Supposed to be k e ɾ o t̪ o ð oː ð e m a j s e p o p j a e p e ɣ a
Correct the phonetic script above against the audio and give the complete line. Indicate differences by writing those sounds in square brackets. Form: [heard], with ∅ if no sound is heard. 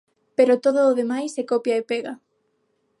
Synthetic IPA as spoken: [p] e ɾ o t̪ o ð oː ð e m a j s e [k] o p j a e p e ɣ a

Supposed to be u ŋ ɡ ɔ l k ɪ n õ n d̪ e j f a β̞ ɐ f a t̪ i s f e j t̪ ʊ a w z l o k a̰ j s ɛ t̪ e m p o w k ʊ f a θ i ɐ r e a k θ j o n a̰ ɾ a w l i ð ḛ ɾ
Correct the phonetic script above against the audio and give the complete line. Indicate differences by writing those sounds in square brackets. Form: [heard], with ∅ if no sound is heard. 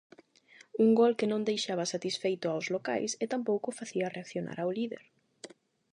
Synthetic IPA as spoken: u ŋ ɡ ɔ l k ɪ n õ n d̪ e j [ʃ] a β̞ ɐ [s] a t̪ i s f e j t̪ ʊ a w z l o k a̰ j s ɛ t̪ [a] m p o w k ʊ f a θ i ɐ r e a k θ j o n a̰ ɾ a w l i ð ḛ ɾ

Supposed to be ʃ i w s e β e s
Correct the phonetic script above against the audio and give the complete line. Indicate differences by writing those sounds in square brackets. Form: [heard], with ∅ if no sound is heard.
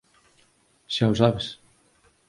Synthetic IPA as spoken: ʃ [a] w s [a] β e s

